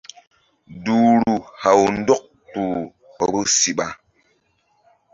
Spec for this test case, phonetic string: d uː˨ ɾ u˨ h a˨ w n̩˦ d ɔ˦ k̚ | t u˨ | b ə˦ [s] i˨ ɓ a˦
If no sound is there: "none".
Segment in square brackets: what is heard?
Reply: s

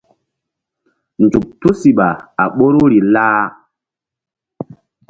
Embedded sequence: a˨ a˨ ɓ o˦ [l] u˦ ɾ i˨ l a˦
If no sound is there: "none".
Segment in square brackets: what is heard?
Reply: ɾ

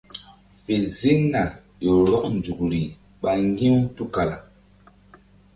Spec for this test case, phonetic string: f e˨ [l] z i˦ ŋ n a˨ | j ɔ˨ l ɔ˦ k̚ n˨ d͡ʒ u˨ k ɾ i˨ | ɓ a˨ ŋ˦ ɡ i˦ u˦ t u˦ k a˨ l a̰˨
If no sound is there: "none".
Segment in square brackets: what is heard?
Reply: none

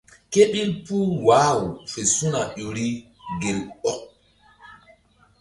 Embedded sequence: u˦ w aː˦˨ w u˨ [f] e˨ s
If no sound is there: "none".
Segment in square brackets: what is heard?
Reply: f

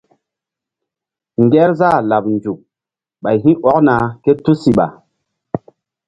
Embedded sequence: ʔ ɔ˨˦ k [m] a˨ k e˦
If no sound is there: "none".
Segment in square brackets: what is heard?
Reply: n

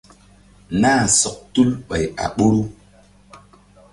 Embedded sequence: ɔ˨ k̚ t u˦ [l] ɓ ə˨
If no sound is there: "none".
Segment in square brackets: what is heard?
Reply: l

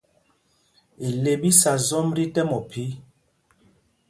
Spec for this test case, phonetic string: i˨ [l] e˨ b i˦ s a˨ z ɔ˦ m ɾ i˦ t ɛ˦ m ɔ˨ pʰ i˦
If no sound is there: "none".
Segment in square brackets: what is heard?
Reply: l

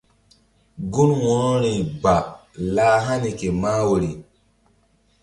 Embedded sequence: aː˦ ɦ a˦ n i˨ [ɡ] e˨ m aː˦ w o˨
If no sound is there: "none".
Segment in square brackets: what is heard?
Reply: k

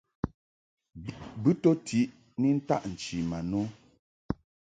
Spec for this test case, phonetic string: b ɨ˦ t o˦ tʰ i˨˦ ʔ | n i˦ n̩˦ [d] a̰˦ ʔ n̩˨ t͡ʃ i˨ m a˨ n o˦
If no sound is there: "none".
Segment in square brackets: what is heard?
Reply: t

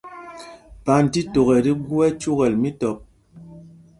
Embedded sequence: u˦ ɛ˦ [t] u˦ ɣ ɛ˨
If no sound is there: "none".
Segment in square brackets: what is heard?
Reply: t͡ʃ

